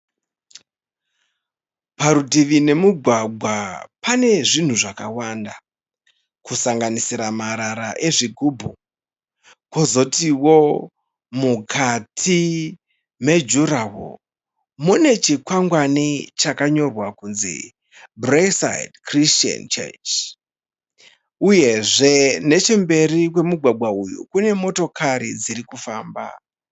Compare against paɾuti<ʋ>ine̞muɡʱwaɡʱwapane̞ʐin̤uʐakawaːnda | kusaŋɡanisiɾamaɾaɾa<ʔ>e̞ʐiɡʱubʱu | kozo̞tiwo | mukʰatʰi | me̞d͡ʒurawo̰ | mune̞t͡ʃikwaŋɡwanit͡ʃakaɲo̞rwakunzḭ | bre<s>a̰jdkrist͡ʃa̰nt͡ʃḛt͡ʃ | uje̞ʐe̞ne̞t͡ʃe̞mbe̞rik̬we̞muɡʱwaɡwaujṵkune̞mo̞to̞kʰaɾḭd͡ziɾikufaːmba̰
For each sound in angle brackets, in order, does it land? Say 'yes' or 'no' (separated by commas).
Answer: yes, yes, yes